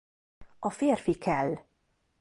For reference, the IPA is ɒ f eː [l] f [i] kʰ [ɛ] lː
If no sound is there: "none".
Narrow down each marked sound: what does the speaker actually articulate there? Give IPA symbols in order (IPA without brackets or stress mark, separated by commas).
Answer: r, i, ɛ